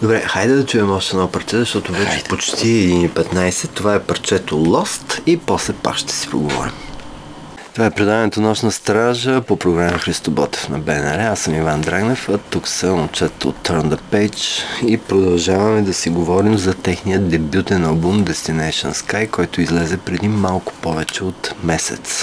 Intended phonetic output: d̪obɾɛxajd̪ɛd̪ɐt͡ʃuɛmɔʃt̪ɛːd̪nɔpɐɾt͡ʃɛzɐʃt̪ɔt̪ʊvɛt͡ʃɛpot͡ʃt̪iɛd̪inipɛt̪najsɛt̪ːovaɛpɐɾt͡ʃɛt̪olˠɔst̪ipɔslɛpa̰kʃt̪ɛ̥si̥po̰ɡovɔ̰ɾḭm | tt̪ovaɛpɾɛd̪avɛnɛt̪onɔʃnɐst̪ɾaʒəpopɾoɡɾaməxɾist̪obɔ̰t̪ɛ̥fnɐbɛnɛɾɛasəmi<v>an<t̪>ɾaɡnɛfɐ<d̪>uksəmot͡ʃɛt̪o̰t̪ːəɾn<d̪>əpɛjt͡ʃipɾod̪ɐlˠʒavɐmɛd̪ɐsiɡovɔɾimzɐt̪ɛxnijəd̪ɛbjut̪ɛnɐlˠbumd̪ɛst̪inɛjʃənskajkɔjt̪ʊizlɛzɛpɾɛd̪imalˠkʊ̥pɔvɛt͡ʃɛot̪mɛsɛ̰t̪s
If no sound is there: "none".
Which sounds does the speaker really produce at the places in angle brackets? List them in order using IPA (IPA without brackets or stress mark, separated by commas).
v, d̪, t̪, d̪